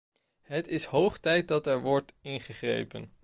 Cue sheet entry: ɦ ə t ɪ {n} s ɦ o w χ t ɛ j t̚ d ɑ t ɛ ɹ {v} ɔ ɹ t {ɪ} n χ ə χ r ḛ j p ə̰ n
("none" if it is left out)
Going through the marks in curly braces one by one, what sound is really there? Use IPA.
none, ʋ, ɪ

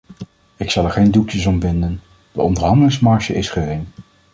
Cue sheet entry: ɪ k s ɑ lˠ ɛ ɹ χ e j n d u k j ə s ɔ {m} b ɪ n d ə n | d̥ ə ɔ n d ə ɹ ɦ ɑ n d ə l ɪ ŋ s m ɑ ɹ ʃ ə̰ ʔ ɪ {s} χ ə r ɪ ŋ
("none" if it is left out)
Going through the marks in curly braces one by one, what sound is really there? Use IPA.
m, s

